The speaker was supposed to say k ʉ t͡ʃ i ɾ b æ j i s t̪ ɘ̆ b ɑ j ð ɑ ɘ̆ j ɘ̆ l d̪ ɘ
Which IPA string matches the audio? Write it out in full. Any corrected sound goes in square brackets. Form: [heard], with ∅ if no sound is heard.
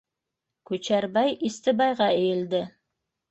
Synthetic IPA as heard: k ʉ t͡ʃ [æ] ɾ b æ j i s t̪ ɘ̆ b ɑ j [ʁ] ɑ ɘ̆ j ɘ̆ l d̪ ɘ

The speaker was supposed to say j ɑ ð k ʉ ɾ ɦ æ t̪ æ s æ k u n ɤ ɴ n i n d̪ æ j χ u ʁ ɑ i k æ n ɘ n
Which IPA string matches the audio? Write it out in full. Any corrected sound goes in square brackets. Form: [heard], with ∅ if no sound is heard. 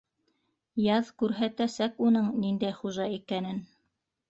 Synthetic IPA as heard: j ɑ ð k ʉ ɾ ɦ æ t̪ æ s æ k u n ɤ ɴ n i n d̪ æ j χ u [ʒ] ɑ i k æ n ɘ n

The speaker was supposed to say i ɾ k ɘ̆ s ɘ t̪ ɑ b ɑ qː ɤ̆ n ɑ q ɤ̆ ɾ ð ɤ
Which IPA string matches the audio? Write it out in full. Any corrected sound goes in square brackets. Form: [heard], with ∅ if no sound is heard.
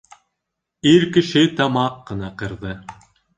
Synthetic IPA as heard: i ɾ k ɘ̆ [ʃ] ɘ t̪ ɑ [m] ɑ qː ɤ̆ n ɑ q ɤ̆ ɾ ð ɤ

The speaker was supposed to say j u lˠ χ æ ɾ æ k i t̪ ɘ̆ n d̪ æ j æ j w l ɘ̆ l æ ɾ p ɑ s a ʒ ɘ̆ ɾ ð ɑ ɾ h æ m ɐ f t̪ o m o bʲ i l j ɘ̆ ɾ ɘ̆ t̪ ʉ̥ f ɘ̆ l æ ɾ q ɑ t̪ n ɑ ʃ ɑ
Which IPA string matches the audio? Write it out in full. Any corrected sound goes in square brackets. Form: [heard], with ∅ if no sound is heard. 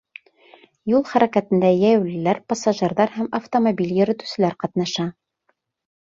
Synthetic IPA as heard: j u lˠ χ æ ɾ æ k [æ] t̪ ɘ̆ n d̪ æ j æ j w l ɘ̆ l æ ɾ p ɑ s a ʒ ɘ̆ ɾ ð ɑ ɾ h æ m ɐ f t̪ o m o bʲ i l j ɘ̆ ɾ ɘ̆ t̪ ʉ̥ [s] ɘ̆ l æ ɾ q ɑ t̪ n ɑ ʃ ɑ

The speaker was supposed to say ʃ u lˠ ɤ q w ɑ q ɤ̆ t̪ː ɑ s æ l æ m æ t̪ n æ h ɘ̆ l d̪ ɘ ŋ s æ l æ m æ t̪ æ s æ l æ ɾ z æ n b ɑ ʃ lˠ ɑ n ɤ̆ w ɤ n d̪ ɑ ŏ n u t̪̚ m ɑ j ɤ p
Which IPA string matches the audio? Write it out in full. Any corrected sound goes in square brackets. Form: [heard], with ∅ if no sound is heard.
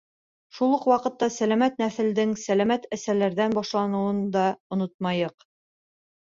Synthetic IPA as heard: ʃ u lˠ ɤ q w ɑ q ɤ̆ t̪ː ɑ s æ l æ m æ t̪ n æ [θ] ɘ̆ l d̪ ɘ ŋ s æ l æ m æ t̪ æ s æ l æ ɾ [ð] æ n b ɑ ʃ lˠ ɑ n ɤ̆ w ɤ n d̪ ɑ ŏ n [o] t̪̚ m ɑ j ɤ [q]

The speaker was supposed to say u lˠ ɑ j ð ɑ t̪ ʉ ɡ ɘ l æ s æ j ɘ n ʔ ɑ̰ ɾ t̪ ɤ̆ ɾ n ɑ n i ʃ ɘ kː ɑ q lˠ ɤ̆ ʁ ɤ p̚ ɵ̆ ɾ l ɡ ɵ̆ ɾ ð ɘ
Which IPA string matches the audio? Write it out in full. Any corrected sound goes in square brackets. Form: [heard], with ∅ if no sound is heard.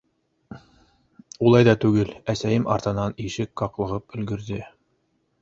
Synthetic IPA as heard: u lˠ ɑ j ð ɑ t̪ ʉ ɡ ɘ l æ s æ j ɘ [m] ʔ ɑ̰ ɾ t̪ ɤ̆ [∅] n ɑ n i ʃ ɘ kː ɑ q lˠ ɤ̆ ʁ ɤ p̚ ɵ̆ [∅] l ɡ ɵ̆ ɾ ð ɘ

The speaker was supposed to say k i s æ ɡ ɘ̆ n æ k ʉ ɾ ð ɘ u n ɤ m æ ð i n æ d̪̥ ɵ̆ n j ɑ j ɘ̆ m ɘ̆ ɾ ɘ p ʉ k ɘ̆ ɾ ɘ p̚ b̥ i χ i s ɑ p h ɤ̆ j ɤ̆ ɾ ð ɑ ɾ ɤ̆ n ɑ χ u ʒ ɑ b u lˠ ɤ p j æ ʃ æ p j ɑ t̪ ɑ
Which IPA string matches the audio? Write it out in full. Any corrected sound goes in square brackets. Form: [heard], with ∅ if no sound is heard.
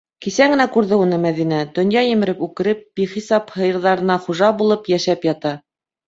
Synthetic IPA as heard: k i s æ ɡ ɘ̆ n æ k ʉ ɾ ð ɘ u n ɤ m æ ð i n æ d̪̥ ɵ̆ n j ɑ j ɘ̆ m ɘ̆ ɾ ɘ p ʉ k ɘ̆ ɾ ɘ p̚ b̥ i χ i s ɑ p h ɤ̆ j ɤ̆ ɾ ð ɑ ɾ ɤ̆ n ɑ χ u ʒ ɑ b u lˠ ɤ p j æ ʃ æ p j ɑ t̪ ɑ

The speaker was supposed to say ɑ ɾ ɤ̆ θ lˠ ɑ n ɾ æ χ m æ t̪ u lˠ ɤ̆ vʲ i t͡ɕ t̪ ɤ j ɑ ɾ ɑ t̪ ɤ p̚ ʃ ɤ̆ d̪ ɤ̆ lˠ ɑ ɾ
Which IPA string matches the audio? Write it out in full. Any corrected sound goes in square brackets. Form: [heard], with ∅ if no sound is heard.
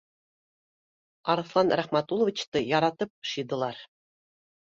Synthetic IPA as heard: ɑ ɾ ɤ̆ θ lˠ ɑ n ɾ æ χ m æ t̪ u lˠ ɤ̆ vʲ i t͡ɕ t̪ ɤ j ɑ ɾ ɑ t̪ ɤ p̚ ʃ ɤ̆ d̪ ɤ̆ lˠ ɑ ɾ

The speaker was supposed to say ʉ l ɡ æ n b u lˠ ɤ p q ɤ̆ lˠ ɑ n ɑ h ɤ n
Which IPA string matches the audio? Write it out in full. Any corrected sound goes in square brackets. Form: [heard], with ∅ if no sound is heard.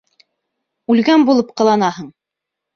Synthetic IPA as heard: ʉ l ɡ æ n b u lˠ ɤ p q ɤ̆ lˠ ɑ n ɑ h ɤ [ɴ]

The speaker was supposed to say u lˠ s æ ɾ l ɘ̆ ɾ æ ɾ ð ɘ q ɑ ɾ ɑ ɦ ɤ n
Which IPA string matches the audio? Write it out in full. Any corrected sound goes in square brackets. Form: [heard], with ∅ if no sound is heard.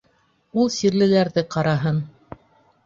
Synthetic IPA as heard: u lˠ s [i] ɾ l ɘ̆ [l] æ ɾ ð ɘ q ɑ ɾ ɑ ɦ ɤ n

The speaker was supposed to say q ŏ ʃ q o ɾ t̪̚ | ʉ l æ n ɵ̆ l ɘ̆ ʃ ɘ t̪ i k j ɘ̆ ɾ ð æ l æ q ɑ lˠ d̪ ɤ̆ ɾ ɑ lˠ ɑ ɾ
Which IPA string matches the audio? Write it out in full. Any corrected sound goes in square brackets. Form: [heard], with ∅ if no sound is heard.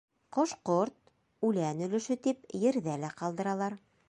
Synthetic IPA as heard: q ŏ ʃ q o ɾ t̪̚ | ʉ l æ n ɵ̆ l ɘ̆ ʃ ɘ t̪ i [p] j ɘ̆ ɾ ð æ l æ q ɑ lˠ d̪ ɤ̆ ɾ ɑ lˠ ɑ ɾ

